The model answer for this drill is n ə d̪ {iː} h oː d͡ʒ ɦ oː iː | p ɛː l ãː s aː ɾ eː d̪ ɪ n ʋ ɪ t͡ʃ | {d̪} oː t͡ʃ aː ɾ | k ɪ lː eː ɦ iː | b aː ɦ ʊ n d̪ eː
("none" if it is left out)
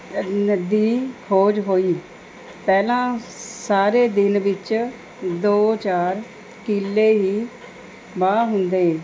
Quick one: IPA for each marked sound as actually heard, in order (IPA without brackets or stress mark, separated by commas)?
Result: iː, d̪